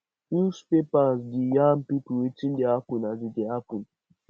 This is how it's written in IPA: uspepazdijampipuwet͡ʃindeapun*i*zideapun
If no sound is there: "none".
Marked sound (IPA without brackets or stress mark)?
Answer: a